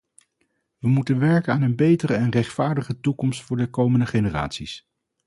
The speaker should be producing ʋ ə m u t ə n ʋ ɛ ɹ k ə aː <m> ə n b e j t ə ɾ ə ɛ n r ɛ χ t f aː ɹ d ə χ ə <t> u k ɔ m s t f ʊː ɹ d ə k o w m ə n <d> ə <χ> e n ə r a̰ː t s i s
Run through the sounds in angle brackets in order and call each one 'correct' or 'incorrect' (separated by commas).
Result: incorrect, correct, correct, correct